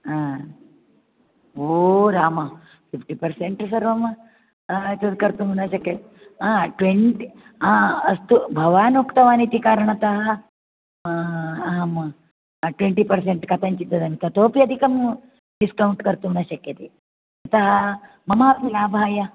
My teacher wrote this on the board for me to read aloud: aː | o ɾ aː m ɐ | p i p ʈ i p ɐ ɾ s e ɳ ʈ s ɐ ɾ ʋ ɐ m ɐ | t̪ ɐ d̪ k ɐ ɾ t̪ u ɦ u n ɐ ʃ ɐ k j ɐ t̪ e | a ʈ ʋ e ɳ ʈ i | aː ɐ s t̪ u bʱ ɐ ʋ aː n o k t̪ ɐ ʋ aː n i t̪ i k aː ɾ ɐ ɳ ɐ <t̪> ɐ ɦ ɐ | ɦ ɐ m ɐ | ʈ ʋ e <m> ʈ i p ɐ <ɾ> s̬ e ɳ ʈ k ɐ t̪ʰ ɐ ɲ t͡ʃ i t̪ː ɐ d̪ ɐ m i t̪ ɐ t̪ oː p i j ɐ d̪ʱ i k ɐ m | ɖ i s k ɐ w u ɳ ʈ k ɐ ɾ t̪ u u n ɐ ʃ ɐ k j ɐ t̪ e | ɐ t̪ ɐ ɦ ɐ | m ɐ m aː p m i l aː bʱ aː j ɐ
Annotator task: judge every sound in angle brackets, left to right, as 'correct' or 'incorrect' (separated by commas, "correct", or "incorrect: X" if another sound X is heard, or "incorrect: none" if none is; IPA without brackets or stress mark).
correct, incorrect: ɳ, correct